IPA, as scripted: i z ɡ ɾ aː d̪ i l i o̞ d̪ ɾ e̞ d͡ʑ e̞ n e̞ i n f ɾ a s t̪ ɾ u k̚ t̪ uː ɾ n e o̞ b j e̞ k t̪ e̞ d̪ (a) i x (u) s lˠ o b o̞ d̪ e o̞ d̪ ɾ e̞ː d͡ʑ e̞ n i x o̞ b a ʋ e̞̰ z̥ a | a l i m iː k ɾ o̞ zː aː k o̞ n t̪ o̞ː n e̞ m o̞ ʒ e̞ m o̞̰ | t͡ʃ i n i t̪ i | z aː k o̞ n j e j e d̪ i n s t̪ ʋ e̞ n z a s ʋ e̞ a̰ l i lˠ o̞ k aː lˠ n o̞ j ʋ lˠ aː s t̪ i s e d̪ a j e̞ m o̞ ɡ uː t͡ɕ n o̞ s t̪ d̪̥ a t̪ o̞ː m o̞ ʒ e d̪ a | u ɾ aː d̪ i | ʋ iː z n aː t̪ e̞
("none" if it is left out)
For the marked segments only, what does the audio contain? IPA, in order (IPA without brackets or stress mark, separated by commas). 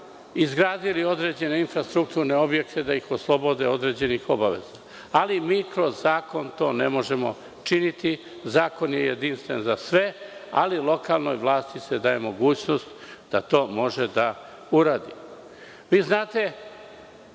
a, o